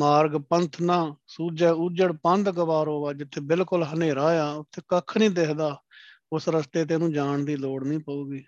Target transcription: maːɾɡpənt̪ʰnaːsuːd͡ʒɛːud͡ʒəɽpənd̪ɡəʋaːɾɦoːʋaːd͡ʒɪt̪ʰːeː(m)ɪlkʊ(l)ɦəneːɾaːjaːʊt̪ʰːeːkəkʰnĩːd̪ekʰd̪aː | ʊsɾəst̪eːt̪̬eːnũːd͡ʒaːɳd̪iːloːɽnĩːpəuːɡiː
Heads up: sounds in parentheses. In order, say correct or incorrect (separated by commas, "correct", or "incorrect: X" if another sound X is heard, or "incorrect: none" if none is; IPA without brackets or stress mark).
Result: incorrect: b, correct